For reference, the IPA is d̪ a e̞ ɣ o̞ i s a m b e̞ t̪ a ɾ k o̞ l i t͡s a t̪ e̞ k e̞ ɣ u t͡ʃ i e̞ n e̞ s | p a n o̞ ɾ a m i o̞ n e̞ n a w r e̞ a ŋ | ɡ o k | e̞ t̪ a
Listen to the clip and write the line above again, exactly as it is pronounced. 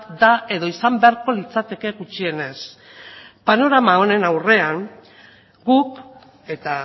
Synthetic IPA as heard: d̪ a e̞ ð o̞ i s a m b e̞ a ɾ k o̞ l i t͡s a t̪ e̞ k e̞ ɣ u t͡ʃ i e̞ n e̞ s | p a n o̞ ɾ a m a o̞ n e̞ n a w r e̞ a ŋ | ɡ u k | e̞ t̪ a